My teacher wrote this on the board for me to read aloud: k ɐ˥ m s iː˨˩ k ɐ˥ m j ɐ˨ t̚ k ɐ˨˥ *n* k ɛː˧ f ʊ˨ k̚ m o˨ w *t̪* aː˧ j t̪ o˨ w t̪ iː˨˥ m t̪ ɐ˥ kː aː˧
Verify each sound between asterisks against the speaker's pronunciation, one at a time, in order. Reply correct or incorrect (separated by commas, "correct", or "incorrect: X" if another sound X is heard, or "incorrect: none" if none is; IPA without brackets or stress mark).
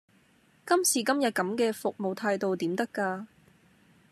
incorrect: m, incorrect: t̪ʰ